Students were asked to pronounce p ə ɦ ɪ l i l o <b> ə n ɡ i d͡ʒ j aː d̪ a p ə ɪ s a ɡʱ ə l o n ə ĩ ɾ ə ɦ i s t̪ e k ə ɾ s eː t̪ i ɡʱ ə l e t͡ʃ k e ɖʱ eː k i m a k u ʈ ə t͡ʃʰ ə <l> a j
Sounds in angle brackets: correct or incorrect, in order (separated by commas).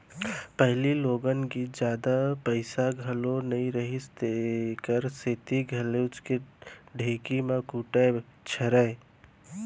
incorrect, incorrect